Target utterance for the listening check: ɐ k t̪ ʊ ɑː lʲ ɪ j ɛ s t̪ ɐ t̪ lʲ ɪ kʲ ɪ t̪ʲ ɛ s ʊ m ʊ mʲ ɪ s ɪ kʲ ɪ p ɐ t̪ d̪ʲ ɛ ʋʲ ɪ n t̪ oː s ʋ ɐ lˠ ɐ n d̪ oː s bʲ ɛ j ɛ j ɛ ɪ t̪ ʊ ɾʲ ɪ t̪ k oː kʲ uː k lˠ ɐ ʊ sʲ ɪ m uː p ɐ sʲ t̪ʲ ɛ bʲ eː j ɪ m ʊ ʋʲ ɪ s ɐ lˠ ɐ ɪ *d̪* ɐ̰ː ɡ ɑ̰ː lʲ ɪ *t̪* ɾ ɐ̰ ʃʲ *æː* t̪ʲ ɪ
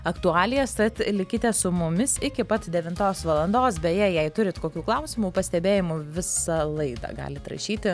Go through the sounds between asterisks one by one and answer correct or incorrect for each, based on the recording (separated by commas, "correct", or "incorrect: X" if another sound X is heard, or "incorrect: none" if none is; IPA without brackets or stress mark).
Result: correct, correct, incorrect: iː